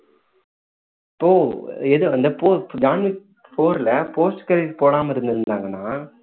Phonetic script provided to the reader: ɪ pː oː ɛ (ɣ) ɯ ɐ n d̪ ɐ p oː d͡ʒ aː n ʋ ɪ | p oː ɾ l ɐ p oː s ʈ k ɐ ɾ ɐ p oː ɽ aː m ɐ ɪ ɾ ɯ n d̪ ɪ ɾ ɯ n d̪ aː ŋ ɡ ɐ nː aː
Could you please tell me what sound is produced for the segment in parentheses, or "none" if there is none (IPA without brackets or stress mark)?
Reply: ð